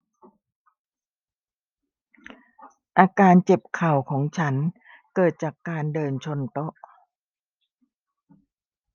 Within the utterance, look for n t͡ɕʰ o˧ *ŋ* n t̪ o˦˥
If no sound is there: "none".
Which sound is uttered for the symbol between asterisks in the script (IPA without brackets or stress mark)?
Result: none